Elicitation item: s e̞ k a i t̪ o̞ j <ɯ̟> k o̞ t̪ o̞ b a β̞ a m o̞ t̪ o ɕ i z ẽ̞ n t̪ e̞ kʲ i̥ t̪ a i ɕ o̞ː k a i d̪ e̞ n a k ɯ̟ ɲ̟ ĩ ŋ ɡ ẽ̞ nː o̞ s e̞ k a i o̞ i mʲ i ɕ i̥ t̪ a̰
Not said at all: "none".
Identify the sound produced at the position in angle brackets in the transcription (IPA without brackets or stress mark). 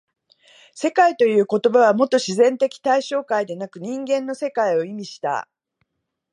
ɯ̟ː